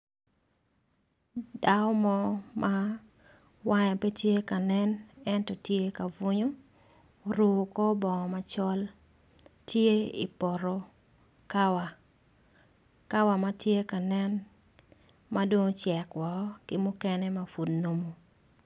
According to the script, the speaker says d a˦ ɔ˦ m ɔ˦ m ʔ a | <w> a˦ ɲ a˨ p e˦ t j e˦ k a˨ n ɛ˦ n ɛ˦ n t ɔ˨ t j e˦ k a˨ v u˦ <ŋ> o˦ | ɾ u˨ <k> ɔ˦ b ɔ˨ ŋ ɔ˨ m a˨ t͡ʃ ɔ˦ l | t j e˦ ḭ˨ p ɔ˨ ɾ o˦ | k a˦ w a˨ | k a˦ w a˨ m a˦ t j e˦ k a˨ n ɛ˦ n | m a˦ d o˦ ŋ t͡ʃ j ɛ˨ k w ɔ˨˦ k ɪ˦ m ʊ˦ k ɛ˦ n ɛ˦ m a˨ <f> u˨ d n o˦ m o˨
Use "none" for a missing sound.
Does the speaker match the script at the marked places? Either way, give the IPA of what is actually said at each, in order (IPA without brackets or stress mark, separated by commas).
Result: w, ɲ, k, f